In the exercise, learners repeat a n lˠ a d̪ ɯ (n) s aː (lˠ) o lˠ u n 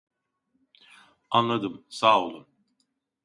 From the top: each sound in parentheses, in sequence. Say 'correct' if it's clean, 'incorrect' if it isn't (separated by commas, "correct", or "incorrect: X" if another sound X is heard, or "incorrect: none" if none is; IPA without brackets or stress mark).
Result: incorrect: m, incorrect: none